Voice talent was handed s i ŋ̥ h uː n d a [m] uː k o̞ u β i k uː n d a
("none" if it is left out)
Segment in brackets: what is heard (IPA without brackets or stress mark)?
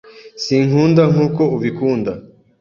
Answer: ŋ